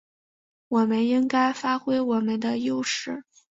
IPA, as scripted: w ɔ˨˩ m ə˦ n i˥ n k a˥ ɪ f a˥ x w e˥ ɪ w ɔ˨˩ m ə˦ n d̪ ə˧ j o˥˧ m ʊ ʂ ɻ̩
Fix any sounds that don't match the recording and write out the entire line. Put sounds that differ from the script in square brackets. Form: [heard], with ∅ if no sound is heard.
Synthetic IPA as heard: w ɔ˨˩ m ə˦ n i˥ [ŋ] k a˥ ɪ f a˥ x w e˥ ɪ w ɔ˨˩ m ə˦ n d̪ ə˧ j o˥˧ [∅] ʊ ʂ ɻ̩

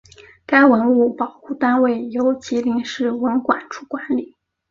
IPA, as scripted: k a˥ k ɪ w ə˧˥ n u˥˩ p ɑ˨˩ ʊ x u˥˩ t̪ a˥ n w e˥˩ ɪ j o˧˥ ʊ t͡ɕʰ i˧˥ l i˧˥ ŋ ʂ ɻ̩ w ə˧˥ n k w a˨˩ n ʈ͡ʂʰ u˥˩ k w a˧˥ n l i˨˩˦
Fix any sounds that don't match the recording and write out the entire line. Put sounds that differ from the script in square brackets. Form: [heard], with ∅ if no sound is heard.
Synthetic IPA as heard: k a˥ [∅] ɪ w ə˧˥ n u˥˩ p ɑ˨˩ ʊ x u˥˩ t̪ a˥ n w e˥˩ ɪ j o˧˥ ʊ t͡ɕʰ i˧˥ l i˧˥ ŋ ʂ ɻ̩ w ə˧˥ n k w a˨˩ n ʈ͡ʂʰ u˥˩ k w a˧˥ n l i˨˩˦

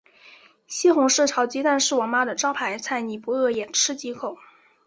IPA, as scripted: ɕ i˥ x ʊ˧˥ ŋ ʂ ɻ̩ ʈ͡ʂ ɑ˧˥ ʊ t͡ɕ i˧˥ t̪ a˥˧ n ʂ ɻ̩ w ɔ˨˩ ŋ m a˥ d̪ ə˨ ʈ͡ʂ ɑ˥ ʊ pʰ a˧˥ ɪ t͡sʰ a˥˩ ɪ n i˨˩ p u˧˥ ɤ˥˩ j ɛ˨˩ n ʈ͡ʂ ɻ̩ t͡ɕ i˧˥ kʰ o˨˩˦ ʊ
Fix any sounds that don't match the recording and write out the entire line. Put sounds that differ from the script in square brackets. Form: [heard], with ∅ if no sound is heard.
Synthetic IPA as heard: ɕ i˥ x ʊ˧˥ ŋ ʂ ɻ̩ [ʈ͡ʂʰ] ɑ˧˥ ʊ t͡ɕ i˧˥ t̪ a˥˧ n ʂ ɻ̩ w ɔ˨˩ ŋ m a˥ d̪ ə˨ ʈ͡ʂ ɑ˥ ʊ pʰ a˧˥ ɪ t͡sʰ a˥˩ ɪ n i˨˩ p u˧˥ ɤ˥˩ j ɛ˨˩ n [ʈ͡ʂʰ] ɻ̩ t͡ɕ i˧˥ kʰ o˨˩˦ ʊ

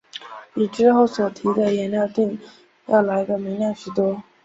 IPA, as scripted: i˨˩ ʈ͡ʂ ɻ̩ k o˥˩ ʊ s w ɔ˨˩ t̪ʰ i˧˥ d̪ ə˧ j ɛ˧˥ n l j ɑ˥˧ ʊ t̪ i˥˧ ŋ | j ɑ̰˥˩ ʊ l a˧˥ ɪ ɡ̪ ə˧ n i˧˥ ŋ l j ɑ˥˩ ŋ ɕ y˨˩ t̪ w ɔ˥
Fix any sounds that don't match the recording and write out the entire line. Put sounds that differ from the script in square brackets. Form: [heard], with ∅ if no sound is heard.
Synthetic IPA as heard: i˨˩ ʈ͡ʂ ɻ̩ [x] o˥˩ ʊ s w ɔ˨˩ t̪ʰ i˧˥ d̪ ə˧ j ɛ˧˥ n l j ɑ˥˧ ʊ t̪ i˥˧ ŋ | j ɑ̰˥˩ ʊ l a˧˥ ɪ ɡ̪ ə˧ [m] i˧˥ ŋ l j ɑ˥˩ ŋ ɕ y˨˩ t̪ w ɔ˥

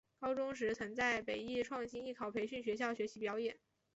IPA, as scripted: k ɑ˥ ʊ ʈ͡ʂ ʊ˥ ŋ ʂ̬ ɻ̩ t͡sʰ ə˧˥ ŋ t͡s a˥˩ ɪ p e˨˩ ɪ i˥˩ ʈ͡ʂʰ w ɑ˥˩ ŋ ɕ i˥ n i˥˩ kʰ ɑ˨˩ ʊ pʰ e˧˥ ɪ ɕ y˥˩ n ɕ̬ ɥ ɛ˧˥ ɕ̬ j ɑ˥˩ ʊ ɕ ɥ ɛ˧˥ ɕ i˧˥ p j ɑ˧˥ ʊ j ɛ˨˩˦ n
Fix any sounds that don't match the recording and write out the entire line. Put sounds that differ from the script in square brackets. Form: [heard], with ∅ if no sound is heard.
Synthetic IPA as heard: k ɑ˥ ʊ ʈ͡ʂ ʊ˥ ŋ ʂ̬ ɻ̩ t͡sʰ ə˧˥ ŋ t͡s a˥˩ ɪ p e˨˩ ɪ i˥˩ ʈ͡ʂʰ w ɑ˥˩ ŋ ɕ i˥ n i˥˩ kʰ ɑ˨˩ ʊ pʰ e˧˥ ɪ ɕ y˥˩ n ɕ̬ ɥ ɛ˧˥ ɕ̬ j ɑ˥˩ ʊ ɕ ɥ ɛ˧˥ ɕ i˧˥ p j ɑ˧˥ ʊ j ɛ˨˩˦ n

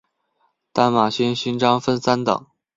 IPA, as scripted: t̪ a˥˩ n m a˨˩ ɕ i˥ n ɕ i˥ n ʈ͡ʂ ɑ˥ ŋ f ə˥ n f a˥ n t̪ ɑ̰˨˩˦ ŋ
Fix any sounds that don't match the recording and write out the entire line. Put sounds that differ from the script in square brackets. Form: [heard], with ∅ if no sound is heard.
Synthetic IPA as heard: t̪ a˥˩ n m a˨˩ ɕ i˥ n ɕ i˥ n ʈ͡ʂ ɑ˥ ŋ f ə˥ n [s] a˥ n t̪ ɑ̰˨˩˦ ŋ

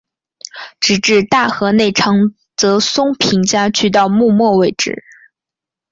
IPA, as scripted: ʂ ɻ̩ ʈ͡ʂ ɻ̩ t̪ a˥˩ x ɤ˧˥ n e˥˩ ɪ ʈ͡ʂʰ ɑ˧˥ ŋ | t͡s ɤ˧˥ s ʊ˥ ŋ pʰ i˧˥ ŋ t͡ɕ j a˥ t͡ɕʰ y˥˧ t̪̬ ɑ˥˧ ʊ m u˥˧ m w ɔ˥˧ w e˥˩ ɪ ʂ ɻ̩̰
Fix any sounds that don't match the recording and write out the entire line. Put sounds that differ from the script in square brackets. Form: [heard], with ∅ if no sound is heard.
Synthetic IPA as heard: [ʈ͡ʂ] ɻ̩ ʈ͡ʂ ɻ̩ t̪ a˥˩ x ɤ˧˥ n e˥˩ ɪ ʈ͡ʂʰ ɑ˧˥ ŋ | t͡s ɤ˧˥ s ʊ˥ ŋ pʰ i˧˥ ŋ t͡ɕ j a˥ t͡ɕʰ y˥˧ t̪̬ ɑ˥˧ ʊ m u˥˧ m w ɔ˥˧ w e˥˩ ɪ [ʈ͡ʂ] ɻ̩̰

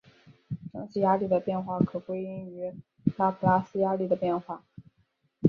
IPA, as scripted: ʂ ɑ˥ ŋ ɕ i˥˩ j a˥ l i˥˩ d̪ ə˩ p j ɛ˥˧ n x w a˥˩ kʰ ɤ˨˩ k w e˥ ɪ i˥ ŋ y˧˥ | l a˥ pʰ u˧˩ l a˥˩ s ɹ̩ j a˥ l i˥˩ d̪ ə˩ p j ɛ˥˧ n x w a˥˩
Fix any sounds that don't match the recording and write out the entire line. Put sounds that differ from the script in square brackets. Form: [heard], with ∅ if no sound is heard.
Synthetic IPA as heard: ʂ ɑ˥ ŋ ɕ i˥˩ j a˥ l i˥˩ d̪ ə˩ p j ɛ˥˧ n x w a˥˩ kʰ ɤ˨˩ k w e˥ ɪ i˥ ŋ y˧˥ | l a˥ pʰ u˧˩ l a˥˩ s ɹ̩ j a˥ l i˥˩ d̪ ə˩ p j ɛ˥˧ n x w a˥˩

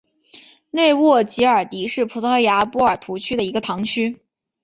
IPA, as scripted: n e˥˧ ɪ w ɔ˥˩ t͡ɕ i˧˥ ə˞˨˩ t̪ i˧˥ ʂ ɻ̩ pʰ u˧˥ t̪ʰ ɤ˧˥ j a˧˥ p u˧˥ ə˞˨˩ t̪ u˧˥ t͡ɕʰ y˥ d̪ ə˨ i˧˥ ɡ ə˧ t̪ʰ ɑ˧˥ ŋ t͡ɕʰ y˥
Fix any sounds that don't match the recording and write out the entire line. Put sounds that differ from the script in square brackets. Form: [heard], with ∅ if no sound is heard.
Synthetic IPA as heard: n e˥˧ ɪ w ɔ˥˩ t͡ɕ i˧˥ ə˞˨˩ t̪ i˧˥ ʂ ɻ̩ pʰ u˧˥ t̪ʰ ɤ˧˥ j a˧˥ p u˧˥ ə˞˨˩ [t̪ʰ] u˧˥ t͡ɕʰ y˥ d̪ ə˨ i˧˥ ɡ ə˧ t̪ʰ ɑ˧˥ ŋ t͡ɕʰ y˥

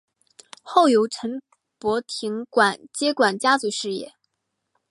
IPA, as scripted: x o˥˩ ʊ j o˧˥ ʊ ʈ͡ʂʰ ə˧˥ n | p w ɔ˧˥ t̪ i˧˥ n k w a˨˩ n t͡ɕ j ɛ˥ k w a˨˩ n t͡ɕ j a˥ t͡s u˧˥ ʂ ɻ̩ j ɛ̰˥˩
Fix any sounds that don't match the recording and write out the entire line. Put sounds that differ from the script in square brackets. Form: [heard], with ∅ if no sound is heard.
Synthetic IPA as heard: x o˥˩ ʊ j o˧˥ ʊ ʈ͡ʂʰ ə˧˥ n | p w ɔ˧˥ [t̪ʰ] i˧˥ [ŋ] k w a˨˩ n t͡ɕ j ɛ˥ k w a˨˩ n t͡ɕ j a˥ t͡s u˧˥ ʂ ɻ̩ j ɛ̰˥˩

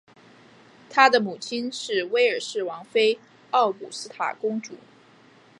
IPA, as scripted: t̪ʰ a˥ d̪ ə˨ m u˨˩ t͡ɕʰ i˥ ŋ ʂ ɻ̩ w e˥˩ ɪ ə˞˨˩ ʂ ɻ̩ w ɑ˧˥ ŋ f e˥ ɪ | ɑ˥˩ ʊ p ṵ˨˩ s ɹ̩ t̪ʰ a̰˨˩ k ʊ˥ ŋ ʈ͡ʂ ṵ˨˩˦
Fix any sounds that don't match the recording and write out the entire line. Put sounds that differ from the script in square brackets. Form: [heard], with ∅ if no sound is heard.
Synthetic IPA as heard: t̪ʰ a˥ d̪ ə˨ m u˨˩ t͡ɕʰ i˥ [n] ʂ ɻ̩ w [e˥] ɪ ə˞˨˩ ʂ ɻ̩ w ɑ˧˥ ŋ f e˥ ɪ | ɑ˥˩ ʊ p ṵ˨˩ s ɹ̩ t̪ʰ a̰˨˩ k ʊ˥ ŋ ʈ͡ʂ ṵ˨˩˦

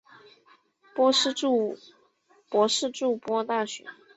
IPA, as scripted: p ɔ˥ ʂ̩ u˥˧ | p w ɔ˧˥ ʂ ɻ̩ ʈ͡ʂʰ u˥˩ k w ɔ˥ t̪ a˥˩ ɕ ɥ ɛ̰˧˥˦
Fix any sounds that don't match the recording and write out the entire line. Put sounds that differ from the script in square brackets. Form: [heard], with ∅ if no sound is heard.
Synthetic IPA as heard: p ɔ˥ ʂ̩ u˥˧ | p w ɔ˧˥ ʂ ɻ̩ [ʈ͡ʂ] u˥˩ [p] w ɔ˥ t̪ a˥˩ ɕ ɥ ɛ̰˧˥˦

